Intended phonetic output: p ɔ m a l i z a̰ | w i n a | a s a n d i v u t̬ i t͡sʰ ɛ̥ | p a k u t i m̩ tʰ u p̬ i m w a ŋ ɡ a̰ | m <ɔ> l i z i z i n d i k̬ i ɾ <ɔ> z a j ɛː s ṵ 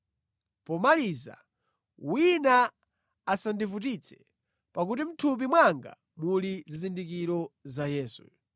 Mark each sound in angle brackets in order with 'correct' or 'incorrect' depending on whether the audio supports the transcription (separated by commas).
incorrect, correct